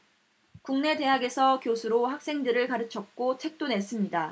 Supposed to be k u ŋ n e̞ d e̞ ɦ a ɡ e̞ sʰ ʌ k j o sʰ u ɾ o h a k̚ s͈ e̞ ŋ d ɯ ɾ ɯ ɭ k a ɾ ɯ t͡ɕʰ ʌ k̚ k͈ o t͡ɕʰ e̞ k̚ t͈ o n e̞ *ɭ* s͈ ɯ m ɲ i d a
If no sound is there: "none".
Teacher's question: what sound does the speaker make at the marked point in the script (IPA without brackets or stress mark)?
none